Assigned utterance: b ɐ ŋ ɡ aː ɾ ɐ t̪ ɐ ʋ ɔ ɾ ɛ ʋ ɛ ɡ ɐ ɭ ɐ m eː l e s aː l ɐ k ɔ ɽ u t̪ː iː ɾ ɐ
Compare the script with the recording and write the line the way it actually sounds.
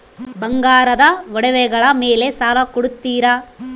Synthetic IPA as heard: b ɐ ŋ ɡ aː ɾ ɐ d̪ ɐ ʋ ɔ ɽ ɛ ʋ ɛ ɡ ɐ ɭ ɐ m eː l e s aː l ɐ k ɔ ɽ u t̪ː iː ɾ ɐ